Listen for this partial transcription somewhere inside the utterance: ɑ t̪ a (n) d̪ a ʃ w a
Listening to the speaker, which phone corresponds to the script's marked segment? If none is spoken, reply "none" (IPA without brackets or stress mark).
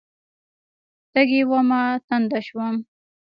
n